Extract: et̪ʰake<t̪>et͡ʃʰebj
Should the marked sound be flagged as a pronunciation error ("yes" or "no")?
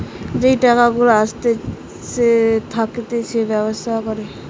no